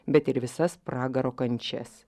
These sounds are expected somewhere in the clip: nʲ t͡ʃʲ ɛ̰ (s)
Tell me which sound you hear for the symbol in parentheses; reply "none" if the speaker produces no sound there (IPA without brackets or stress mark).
s